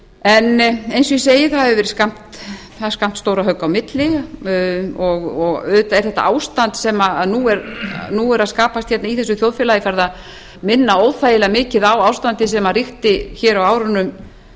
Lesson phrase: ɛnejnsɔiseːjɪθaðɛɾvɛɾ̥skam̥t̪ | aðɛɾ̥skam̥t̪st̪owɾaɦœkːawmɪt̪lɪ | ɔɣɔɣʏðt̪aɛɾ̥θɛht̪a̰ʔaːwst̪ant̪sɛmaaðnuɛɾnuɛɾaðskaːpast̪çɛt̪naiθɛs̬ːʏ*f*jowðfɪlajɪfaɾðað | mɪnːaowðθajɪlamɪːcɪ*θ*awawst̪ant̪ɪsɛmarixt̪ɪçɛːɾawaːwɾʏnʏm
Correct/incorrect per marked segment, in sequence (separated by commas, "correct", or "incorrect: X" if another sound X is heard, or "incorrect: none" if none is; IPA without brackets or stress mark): incorrect: θ, incorrect: ð